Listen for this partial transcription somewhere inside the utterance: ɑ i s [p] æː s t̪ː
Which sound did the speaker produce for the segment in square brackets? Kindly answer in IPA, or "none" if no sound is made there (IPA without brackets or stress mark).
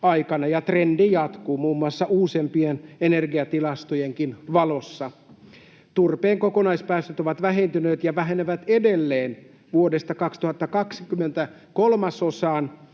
p